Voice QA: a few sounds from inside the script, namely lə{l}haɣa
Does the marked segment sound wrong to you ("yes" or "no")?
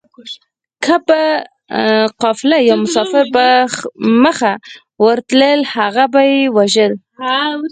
no